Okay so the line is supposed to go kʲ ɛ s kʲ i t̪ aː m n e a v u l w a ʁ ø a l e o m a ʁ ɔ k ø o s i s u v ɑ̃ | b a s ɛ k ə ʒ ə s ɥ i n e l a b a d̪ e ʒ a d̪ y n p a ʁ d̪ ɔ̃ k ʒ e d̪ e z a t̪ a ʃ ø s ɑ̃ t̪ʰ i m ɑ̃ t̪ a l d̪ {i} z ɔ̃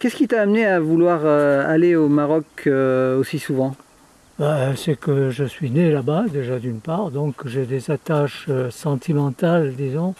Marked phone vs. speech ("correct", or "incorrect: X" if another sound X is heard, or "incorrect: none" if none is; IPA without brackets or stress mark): correct